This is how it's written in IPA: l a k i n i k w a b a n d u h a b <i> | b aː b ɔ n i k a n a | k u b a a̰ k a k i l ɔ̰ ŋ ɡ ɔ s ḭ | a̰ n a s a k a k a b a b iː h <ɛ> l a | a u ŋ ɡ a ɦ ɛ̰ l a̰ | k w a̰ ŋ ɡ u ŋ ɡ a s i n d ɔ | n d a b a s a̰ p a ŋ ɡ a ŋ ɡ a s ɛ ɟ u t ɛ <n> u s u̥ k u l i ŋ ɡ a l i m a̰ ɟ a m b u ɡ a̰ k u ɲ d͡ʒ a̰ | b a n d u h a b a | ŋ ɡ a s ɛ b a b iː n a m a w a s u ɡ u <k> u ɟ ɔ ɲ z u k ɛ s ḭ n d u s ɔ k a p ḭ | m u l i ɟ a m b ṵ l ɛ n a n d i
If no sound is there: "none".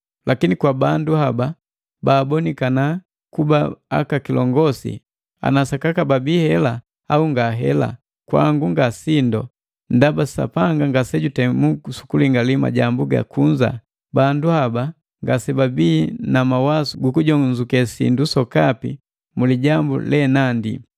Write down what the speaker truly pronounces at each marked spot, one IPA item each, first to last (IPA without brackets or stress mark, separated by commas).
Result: a, ɛ, m, k